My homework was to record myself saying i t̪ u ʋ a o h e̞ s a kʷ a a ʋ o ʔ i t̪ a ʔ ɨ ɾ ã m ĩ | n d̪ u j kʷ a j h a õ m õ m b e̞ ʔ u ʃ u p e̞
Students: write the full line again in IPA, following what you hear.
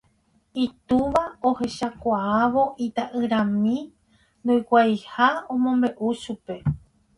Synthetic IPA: i t̪ u ʋ a o h e̞ ʃ a kʷ a a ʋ o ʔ i t̪ a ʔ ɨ ɾ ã m ĩ | n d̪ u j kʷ a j h a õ m õ m b e̞ ʔ u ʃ u p e̞

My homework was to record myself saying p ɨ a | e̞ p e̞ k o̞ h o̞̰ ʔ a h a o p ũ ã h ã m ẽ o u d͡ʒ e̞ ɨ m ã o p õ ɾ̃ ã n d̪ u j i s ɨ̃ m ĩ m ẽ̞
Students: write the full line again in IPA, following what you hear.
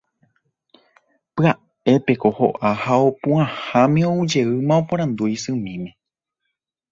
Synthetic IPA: p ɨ a | e̞ p e̞ k o̞ h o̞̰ ʔ a h a o p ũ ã h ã m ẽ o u d͡ʒ e̞ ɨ m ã o p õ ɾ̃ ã n d̪ u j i s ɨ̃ m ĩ m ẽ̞

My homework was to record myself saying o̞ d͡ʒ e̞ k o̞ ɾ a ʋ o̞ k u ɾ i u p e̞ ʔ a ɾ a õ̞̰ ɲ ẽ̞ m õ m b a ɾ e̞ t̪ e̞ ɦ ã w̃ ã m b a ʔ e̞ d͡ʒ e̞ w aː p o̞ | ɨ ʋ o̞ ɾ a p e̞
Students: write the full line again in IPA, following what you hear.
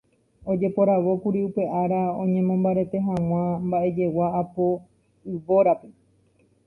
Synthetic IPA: o̞ d͡ʒ e̞ p o̞ ɾ a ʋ o̞ k u ɾ i u p e̞ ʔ a ɾ a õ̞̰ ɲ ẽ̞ m õ m b a ɾ e̞ t̪ e̞ ɦ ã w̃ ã m b a ʔ e̞ d͡ʒ e̞ w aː p o̞ | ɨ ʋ o̞ ɾ a p e̞

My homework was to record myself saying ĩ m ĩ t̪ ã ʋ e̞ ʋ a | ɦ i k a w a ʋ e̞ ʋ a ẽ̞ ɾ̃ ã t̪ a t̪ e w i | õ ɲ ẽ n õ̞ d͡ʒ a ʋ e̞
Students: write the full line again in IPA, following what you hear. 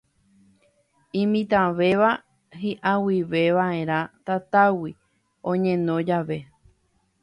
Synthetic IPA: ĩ m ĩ t̪ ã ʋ e̞ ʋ a | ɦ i ʔ a w i ʋ e̞ ʋ a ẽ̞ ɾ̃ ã t̪ a t̪ a w i | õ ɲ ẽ n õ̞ d͡ʒ a ʋ e̞

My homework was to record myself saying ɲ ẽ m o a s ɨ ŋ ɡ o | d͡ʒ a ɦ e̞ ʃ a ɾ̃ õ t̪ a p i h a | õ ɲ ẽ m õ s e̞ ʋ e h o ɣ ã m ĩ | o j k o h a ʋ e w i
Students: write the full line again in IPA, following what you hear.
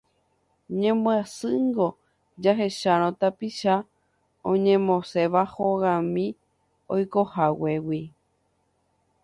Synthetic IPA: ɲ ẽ m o a s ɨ ŋ ɡ o | d͡ʒ a ɦ e̞ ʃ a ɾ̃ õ t̪ a p i ʃ a | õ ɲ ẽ m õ s e̞ ʋ a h o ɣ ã m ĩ | o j k o h a w e w i

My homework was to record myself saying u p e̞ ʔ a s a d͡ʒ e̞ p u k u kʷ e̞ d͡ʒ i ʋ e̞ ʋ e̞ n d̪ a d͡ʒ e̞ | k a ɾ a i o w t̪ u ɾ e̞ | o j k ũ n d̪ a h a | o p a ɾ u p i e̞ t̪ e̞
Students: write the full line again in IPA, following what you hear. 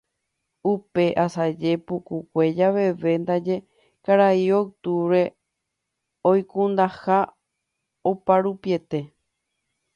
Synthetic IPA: u p e̞ ʔ a s a d͡ʒ e̞ p u k u kʷ e̞ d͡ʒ a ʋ e̞ ʋ e̞ n d̪ a d͡ʒ e̞ | k a ɾ a i o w t̪ u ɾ e̞ | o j k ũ n d̪ a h a | o p a ɾ u p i e̞ t̪ e̞

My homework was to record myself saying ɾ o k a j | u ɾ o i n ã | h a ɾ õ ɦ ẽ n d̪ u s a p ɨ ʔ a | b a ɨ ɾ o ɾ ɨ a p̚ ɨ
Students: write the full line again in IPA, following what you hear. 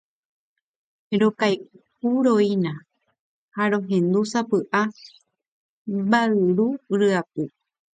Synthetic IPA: ɾ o k a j | u ɾ o i n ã | h a ɾ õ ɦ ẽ n d̪ u s a p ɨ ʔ a | b a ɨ ɾ u ɾ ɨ a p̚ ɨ

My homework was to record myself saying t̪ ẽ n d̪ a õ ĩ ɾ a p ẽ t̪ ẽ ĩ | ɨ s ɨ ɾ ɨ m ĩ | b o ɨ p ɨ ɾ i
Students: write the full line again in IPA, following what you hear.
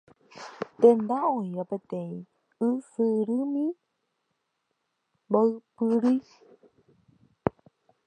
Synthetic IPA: t̪ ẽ n d̪ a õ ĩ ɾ a p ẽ t̪ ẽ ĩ | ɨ s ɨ ɾ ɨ m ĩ | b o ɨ p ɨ ɾ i

